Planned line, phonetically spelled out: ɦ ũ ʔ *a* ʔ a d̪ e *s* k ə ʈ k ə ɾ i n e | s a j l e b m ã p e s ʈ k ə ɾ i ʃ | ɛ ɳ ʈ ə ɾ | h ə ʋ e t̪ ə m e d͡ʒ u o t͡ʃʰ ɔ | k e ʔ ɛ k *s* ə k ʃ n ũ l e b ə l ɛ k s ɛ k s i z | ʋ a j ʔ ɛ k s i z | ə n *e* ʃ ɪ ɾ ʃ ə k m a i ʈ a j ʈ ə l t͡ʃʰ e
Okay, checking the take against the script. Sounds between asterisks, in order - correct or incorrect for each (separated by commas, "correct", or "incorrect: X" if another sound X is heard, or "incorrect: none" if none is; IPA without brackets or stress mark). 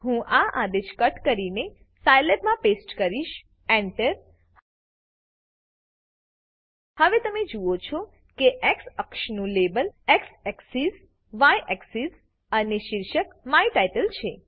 correct, incorrect: ʃ, correct, correct